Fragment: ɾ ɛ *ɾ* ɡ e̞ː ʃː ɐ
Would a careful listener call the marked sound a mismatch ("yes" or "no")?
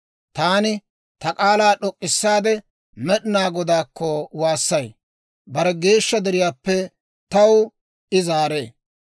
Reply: yes